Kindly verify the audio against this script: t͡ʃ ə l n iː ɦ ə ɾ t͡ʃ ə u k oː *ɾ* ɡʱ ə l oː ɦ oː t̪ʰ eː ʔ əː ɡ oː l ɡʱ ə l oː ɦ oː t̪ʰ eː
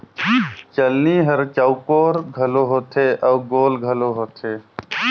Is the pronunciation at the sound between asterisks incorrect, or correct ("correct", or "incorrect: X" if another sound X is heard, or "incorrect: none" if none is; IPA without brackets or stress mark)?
correct